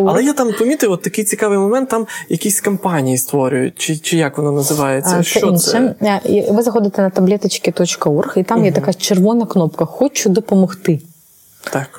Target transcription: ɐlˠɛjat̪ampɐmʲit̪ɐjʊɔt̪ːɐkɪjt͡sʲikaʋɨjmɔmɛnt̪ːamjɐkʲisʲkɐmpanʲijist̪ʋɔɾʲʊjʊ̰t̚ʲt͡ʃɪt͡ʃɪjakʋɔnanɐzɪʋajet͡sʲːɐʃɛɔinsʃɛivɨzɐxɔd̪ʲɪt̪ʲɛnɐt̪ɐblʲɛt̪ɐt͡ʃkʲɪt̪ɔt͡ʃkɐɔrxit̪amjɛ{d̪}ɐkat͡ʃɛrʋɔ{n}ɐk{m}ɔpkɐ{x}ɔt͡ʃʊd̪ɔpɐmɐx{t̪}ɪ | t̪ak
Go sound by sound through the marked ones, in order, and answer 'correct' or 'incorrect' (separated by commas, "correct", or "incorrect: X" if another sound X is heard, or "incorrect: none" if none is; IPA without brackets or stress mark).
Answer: incorrect: t̪, correct, incorrect: n, correct, correct